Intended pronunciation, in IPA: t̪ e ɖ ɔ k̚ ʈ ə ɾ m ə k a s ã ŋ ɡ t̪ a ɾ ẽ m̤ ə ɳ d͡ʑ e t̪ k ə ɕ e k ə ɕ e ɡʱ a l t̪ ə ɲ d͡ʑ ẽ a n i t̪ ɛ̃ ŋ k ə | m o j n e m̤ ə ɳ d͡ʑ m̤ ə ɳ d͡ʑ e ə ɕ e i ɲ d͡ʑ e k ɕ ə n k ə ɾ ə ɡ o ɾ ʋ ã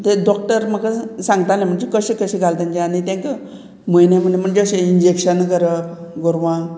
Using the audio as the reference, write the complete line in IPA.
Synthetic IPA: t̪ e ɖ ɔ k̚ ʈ ə ɾ m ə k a s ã ŋ ɡ t̪ a l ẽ m̤ ə ɳ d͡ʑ e k ə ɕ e k ə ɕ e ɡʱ a l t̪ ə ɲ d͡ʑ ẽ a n i t̪ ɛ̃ ŋ k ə | m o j n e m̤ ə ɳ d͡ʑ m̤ ə ɳ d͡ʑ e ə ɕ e i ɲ d͡ʑ e k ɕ ə n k ə ɾ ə ɡ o ɾ ʋ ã

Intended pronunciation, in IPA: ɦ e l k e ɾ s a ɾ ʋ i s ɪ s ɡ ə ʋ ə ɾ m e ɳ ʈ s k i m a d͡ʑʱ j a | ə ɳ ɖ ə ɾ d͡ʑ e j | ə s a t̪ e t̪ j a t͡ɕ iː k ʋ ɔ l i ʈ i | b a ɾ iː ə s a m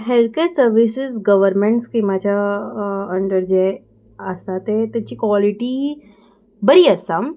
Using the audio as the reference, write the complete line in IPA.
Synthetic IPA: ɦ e l k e ɾ s ə ɾ ʋ i s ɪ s ɡ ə ʋ ə ɾ m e ɳ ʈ s k i m a d͡ʑʱ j a | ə ɳ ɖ ə ɾ d͡ʑ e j | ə s a t̪ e t̪ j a t͡ɕ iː k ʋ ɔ l i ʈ i | b ə ɾ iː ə s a m

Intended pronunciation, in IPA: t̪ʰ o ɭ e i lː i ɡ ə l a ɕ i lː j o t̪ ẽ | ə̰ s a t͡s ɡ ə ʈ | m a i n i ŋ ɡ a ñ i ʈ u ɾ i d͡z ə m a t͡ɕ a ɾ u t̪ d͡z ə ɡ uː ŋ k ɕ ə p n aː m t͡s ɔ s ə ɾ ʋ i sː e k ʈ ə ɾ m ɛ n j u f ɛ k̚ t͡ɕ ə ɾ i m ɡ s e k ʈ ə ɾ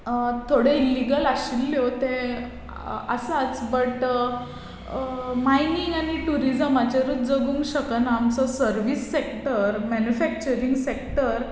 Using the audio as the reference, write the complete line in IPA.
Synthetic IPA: t̪ʰ o ɽ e i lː i ɡ ə l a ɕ i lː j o t̪ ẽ | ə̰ s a t͡s b ə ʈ | m a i n i ŋ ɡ a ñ i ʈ u ɾ i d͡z ə m a t͡ɕ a ɾ u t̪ d͡z ə ɡ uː ŋ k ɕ ə k n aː m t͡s ɔ s ə ɾ ʋ i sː e k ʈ ə ɾ m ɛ n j u f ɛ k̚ t͡ɕ ə ɾ i ŋ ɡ s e k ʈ ə ɾ

